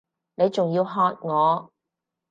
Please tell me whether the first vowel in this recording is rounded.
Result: no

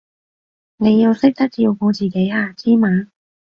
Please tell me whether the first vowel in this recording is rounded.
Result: no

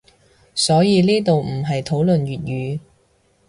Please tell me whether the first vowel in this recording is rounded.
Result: yes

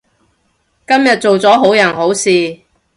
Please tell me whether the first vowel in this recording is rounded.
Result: no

